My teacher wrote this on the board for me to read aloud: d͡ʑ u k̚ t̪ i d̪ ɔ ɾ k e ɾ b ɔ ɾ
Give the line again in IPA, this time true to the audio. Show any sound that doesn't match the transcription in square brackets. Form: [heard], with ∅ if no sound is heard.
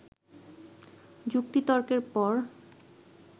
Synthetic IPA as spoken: d͡ʑ u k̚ t̪ i [t̪] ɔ ɾ k e ɾ [p] ɔ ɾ